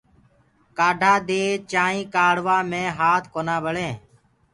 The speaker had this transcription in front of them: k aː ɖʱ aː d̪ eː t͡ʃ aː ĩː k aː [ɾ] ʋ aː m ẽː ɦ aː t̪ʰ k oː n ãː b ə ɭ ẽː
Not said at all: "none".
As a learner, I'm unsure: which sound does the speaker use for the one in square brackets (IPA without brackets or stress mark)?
ɽ